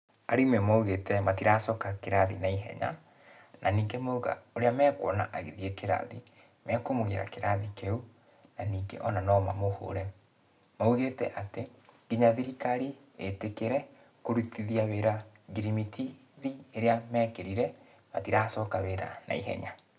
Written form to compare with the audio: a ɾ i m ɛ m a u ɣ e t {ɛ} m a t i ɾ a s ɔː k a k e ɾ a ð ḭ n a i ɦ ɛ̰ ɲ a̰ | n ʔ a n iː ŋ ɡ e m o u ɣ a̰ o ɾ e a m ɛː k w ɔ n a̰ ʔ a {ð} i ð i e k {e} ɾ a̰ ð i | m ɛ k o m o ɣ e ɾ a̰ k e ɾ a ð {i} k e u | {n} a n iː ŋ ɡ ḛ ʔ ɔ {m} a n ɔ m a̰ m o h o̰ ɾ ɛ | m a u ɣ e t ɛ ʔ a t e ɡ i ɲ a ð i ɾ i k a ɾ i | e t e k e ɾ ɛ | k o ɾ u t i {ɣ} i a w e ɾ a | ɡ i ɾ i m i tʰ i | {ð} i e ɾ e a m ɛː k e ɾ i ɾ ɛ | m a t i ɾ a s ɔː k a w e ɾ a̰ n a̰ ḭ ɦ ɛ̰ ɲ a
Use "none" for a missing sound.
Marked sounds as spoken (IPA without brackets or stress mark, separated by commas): ɛ, ɣ, e, i, n, n, ð, ð